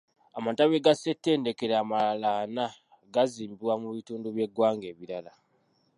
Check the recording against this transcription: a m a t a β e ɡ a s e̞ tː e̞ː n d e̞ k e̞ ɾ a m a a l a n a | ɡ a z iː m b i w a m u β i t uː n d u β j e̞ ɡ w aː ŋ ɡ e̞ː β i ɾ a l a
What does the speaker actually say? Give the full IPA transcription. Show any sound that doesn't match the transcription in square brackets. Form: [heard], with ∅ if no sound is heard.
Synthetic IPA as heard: a m a t a β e ɡ a s e̞ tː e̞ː n d e̞ k e̞ ɾ a m a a l a n a | ɡ a z iː m b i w a m u β i t uː n d u β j e̞ ɡ w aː ŋ ɡ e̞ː β i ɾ a l a